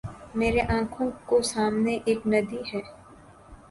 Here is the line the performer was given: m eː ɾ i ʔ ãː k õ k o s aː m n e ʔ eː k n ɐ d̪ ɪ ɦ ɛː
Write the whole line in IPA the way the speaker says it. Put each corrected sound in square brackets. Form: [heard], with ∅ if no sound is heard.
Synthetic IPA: m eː ɾ [e] ʔ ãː [kʰ] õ k o s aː m n e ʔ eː k n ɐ d̪ [i] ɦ ɛː